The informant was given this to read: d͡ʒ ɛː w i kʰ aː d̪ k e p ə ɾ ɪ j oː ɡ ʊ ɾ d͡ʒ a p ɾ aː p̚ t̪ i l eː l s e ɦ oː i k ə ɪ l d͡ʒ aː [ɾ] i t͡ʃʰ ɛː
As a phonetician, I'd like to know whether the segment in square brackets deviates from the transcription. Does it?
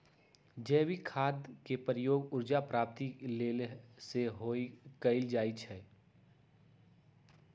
yes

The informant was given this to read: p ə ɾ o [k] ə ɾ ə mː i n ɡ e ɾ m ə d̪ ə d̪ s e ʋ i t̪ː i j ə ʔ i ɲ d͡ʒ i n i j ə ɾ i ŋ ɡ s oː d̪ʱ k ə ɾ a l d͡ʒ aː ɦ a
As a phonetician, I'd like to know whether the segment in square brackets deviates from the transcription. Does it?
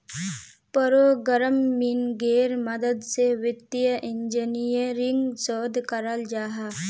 yes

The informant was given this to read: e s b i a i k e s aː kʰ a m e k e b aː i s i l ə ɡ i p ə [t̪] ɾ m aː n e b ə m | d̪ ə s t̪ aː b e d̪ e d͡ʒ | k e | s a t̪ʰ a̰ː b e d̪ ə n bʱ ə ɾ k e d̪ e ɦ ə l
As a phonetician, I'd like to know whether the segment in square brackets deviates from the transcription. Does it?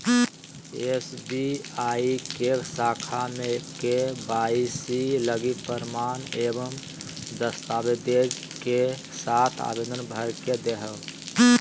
yes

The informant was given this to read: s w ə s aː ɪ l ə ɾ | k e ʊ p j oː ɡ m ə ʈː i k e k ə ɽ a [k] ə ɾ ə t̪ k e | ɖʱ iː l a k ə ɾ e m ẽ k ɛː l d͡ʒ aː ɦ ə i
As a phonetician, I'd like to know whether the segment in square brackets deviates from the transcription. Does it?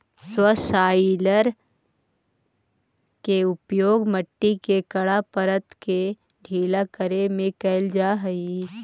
yes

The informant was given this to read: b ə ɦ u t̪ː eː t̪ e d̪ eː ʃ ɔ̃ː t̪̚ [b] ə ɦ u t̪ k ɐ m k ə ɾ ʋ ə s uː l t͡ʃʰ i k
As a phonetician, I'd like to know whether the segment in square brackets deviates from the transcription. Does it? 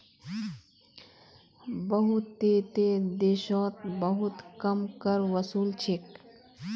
no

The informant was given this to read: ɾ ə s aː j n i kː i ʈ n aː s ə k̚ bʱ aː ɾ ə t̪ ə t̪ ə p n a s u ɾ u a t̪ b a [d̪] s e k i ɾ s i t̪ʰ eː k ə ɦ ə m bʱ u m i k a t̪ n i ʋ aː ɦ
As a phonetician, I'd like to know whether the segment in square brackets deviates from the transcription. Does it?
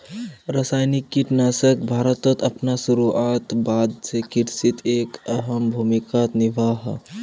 no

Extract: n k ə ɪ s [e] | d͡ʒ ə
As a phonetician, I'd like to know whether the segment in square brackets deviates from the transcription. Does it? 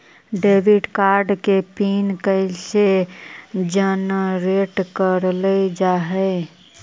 no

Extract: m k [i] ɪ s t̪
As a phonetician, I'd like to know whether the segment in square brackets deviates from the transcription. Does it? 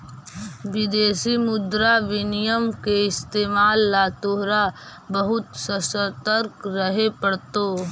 yes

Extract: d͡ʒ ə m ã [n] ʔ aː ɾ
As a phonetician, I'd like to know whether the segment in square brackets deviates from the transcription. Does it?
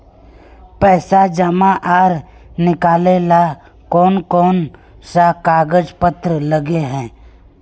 yes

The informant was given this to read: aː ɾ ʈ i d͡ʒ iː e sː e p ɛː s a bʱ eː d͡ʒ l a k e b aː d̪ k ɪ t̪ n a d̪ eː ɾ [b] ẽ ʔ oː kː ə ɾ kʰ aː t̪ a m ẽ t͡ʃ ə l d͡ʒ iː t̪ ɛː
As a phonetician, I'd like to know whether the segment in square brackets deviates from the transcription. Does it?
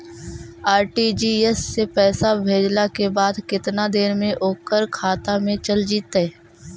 yes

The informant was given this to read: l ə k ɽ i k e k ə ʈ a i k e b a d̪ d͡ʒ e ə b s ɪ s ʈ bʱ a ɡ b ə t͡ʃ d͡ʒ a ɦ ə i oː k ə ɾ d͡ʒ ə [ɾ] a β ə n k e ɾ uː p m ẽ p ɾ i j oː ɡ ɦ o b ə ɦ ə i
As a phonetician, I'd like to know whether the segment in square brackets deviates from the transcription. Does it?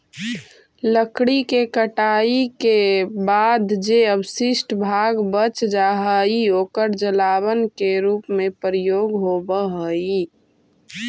yes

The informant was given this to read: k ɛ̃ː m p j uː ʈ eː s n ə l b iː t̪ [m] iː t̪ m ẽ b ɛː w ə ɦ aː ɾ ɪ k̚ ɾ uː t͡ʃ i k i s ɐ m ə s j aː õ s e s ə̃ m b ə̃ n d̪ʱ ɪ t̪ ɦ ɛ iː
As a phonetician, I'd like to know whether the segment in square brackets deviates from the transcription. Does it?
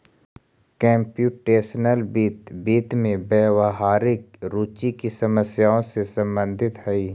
yes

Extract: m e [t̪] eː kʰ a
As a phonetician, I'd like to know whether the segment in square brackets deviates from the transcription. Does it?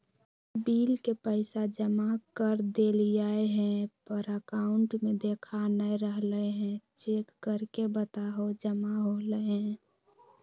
yes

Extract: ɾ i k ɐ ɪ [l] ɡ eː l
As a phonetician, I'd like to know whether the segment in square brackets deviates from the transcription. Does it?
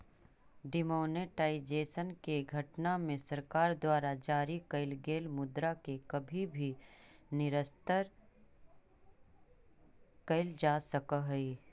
no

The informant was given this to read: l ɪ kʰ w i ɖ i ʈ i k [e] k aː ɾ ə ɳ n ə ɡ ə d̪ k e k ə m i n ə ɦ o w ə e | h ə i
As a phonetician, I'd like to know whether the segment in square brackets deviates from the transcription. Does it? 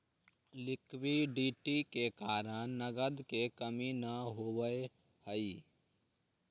no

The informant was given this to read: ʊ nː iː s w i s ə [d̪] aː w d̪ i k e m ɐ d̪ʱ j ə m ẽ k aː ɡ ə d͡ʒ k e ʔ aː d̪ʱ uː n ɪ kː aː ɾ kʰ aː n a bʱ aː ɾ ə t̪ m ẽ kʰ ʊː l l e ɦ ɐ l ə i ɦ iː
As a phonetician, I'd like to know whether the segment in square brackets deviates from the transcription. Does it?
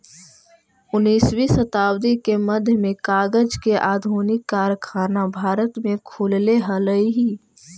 yes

